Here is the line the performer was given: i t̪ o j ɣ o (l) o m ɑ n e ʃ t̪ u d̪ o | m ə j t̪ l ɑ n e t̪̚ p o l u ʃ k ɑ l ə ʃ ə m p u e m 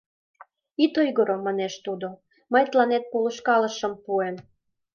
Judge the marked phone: incorrect: ɾ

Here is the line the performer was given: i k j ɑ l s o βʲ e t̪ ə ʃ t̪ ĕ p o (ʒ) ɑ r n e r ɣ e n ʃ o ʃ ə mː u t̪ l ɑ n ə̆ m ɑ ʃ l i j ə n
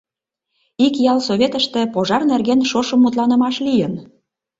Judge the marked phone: correct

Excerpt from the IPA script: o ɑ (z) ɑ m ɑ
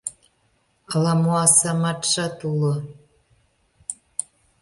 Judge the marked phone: incorrect: s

